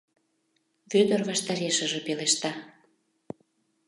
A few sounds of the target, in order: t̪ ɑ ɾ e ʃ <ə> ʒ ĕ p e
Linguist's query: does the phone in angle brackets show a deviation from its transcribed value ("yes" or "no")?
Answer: no